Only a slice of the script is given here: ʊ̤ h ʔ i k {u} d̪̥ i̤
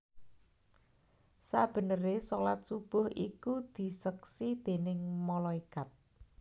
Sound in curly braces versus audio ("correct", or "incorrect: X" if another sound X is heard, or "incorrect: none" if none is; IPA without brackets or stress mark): correct